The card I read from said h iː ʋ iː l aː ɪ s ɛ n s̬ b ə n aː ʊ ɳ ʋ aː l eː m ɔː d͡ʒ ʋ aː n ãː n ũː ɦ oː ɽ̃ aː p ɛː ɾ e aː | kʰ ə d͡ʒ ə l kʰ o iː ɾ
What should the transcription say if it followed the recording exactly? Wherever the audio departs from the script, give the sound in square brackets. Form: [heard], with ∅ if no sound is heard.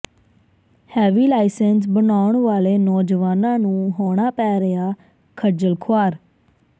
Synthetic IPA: h [ɛː] ʋ iː l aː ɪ s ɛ n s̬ b ə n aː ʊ ɳ ʋ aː l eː [n] ɔː d͡ʒ ʋ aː n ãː n ũː ɦ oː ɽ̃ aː p ɛː ɾ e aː | kʰ ə d͡ʒ ə l kʰ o [aː] ɾ